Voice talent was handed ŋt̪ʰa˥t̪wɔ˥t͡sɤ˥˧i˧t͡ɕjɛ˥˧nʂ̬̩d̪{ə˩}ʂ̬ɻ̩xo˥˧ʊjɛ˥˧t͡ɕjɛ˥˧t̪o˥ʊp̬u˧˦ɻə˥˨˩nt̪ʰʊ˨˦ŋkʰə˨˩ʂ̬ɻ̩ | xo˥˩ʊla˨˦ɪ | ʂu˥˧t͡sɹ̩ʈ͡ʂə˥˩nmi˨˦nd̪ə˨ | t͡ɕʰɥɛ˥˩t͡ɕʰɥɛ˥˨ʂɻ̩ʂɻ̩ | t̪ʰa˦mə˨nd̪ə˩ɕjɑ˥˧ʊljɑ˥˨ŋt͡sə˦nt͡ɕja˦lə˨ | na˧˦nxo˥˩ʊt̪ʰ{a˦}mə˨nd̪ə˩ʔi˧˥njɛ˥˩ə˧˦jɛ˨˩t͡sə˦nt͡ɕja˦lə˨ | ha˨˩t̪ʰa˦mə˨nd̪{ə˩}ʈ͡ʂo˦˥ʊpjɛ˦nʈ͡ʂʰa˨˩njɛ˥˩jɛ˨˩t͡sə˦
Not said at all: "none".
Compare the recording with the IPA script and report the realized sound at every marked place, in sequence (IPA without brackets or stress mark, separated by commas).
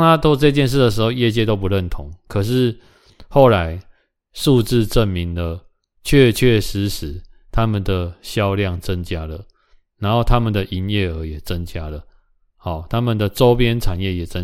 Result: ə˩, a˦, ə˩